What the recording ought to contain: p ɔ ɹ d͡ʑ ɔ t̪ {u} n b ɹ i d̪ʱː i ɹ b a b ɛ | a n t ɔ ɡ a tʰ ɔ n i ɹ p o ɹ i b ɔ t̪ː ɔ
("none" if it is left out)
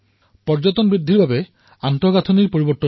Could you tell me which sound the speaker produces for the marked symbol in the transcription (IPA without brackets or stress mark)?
ɔ